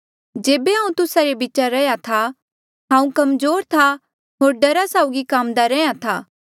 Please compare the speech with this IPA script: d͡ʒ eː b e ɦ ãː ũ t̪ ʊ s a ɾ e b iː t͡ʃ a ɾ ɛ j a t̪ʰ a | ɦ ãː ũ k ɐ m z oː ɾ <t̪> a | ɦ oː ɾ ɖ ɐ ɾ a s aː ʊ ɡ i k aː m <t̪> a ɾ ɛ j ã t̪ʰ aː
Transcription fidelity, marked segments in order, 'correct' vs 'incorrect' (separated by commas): incorrect, incorrect